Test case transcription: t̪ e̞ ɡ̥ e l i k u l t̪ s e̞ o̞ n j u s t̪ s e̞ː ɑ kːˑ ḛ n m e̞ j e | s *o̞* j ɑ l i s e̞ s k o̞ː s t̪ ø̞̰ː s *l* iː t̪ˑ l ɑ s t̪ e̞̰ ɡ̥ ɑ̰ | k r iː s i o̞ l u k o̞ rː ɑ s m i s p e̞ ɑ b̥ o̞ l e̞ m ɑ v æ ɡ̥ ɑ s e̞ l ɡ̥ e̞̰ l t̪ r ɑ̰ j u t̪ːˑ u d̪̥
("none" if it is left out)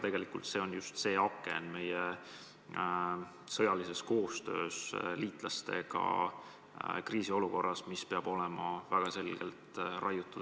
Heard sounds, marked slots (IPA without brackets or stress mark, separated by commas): ɤ̞, l